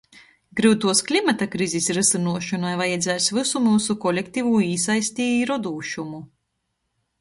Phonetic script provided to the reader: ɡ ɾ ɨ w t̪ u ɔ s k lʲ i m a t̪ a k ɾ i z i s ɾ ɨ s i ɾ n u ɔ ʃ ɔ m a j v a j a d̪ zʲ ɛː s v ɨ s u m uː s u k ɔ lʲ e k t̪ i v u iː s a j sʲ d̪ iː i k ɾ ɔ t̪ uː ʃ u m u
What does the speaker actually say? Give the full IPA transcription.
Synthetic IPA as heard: ɡ ɾ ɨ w t̪ u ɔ s k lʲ i m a t̪ a k ɾ i z i s ɾ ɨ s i n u ɔ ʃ ɔ n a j v a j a d̪ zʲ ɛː s v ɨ s u m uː s u k ɔ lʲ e k t̪ i v u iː s a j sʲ t̪ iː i ɾ ɔ d̪ uː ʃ u m u